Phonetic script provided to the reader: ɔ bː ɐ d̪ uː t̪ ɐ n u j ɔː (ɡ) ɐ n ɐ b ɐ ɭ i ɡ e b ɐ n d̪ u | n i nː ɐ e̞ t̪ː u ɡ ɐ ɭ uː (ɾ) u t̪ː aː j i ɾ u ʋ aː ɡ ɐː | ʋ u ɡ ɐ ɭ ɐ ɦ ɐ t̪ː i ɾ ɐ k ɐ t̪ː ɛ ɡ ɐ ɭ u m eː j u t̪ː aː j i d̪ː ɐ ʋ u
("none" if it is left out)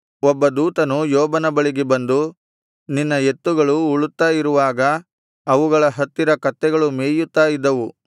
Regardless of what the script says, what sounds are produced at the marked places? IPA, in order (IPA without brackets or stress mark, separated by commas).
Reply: b, ɭ